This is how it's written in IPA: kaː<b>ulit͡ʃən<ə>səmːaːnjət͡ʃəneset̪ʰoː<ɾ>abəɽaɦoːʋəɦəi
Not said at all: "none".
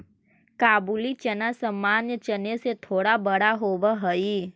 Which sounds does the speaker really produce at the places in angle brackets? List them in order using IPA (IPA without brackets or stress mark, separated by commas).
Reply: b, a, ɽ